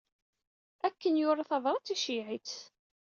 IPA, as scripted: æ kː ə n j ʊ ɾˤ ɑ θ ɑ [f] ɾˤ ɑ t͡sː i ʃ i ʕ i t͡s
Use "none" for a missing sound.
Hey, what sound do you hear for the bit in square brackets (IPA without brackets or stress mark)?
v